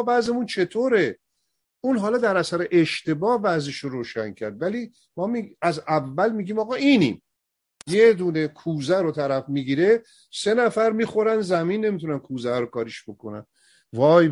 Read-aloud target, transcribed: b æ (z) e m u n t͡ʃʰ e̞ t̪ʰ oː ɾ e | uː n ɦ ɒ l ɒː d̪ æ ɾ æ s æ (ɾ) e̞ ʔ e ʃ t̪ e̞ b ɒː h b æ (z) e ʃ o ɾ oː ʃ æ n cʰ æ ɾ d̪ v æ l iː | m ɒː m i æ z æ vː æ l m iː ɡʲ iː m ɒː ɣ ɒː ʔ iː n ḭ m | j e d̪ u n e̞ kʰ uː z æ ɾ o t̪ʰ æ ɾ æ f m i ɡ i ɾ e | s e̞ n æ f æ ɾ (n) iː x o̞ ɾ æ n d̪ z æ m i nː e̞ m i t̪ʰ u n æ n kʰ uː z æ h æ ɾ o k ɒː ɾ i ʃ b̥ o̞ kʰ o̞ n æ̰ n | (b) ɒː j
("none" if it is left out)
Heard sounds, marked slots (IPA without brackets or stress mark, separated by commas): z, ɾ, z, m, v